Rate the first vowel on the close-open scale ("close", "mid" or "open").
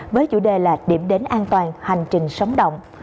mid